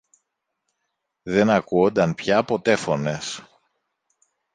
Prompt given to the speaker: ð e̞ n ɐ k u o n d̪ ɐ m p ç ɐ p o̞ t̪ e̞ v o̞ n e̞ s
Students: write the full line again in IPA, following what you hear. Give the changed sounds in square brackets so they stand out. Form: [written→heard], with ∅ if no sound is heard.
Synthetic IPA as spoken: ð e̞ n ɐ k u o n d̪ ɐ [m→n] p ç ɐ p o̞ t̪ e̞ [v→f] o̞ n e̞ s